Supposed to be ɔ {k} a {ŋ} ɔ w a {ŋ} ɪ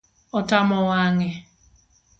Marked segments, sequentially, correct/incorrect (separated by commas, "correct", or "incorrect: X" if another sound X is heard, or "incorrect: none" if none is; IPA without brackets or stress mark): incorrect: t, incorrect: m, correct